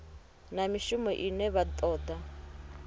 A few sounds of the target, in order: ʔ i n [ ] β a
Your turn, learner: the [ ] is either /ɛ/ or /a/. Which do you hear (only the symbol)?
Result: ɛ